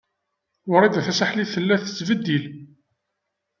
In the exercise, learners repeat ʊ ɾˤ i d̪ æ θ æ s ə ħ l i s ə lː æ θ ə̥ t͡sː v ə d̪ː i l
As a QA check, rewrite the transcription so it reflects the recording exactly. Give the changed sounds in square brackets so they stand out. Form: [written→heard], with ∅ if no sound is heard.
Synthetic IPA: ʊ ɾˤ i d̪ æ θ æ s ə ħ l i [s→θ] ə lː æ θ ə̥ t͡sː v ə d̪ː i l